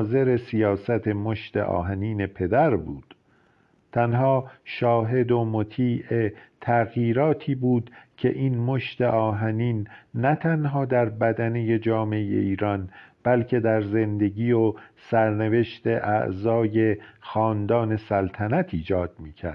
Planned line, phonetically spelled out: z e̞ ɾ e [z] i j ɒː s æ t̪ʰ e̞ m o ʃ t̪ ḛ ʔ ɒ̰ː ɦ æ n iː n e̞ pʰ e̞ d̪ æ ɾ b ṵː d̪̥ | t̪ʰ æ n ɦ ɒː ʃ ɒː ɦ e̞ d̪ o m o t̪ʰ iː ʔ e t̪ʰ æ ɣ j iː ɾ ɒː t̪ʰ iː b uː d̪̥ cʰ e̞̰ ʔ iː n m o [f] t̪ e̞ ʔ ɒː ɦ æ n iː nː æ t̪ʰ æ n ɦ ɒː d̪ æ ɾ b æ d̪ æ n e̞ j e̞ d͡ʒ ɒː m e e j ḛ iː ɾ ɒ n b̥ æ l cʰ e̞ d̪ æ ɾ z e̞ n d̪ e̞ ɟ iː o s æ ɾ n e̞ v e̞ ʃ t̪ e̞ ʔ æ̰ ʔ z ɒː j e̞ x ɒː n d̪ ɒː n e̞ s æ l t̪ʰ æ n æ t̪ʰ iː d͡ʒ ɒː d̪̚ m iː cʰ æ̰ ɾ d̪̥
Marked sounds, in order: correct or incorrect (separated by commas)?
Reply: incorrect, incorrect